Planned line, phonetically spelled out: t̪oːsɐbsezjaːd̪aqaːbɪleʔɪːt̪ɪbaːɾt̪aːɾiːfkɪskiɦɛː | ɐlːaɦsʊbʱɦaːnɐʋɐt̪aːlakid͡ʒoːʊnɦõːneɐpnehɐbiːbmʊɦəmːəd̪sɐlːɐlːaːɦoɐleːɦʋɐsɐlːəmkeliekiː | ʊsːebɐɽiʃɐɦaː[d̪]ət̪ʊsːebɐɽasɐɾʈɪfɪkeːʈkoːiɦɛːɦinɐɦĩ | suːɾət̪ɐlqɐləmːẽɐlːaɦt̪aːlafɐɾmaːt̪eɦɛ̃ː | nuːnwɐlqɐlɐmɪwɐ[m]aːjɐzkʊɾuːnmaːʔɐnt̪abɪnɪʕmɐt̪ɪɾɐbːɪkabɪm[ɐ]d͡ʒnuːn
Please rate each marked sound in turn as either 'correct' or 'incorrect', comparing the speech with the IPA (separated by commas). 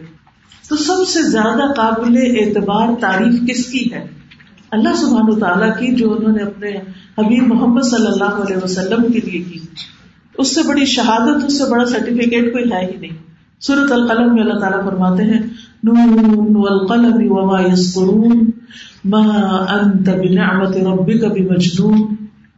correct, correct, correct